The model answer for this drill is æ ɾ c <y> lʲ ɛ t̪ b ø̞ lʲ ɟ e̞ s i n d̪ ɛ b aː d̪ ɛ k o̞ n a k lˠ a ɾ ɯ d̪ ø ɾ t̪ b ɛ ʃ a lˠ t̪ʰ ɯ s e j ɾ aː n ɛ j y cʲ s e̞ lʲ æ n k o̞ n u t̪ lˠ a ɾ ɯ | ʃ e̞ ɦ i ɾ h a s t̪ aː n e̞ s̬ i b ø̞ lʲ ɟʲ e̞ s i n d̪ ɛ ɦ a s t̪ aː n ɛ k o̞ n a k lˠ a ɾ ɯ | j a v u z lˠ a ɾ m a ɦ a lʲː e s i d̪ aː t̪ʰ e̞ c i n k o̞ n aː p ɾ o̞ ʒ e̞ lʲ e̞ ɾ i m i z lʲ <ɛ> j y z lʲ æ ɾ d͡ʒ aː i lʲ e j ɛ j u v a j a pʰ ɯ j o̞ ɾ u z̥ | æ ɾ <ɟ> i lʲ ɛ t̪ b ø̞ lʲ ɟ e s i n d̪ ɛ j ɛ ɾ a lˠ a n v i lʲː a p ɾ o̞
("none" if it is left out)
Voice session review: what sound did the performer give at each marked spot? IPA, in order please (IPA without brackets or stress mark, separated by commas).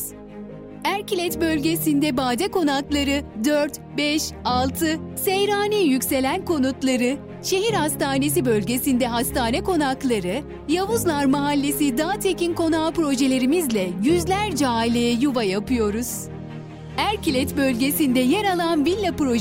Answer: i, ɛ, c